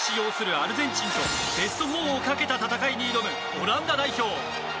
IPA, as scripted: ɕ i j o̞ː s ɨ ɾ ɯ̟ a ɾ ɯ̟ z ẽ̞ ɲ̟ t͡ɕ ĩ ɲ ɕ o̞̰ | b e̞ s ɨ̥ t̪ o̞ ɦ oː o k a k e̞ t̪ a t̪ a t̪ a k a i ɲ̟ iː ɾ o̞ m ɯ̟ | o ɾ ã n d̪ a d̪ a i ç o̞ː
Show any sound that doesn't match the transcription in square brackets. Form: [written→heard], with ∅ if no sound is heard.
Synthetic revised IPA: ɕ i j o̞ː s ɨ ɾ ɯ̟ a ɾ ɯ̟ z ẽ̞ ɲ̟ t͡ɕ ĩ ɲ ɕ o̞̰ | b e̞ s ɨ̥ t̪ o̞ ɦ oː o k a k e̞ t̪ a t̪ a t̪ a k a i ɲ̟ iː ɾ o̞ m ɯ̟ | o ɾ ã n d̪ a d̪ a i ç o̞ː